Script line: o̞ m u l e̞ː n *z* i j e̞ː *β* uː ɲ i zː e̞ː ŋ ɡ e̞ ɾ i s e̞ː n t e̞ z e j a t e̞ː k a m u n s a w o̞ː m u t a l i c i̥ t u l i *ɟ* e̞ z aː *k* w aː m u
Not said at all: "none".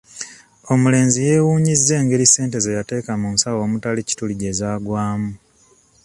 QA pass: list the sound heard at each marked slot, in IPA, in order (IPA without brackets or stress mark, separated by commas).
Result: z, w, ɟ, ɡ